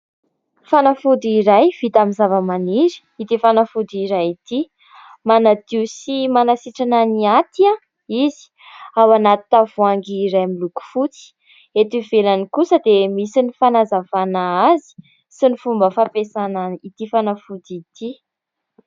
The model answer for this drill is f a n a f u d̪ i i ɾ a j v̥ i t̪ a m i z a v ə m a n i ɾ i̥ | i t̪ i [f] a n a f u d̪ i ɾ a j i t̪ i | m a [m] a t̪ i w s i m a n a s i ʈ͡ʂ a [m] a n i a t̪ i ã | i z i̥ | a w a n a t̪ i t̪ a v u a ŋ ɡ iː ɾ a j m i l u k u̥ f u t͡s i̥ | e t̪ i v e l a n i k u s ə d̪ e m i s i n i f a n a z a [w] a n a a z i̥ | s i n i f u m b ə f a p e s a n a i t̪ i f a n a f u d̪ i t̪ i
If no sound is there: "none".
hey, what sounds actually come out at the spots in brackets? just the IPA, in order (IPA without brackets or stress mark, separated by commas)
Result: f, n, n, v